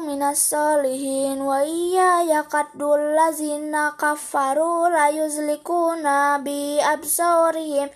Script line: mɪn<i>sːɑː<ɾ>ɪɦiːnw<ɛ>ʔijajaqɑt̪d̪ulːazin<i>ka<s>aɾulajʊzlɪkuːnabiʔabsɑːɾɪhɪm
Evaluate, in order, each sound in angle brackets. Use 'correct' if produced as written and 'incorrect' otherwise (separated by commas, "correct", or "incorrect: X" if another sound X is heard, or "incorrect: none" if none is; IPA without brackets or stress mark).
incorrect: a, incorrect: l, incorrect: a, incorrect: a, incorrect: f